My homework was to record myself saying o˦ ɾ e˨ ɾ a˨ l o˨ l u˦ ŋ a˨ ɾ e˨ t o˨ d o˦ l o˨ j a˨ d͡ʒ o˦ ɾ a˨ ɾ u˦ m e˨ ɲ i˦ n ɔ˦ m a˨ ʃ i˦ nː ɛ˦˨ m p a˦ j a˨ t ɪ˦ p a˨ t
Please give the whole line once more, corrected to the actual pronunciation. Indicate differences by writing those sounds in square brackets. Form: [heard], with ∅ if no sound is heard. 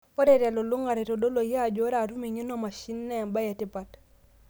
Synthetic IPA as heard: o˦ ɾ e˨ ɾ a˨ l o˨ l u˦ ŋ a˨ ɾ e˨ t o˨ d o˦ l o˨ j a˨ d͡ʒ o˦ ɾ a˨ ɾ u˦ m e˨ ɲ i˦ n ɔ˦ m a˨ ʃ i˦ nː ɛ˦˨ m [b] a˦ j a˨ t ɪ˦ p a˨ t